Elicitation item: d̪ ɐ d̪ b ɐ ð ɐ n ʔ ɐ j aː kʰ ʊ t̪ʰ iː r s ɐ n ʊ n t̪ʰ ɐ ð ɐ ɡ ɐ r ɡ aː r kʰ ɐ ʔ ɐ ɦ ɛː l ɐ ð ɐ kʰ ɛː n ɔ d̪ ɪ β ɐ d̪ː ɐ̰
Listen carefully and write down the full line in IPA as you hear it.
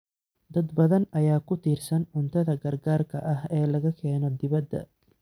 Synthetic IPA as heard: d̪ ɐ d̪ b ɐ ð ɐ n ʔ ɐ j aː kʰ ʊ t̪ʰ iː r s ɐ n ʊ n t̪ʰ ɐ ð ɐ ɡ ɐ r ɡ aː r kʰ ɐ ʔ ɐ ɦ ɛː l ɐ ɣ ɐ kʰ ɛː n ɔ d̪ ɪ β ɐ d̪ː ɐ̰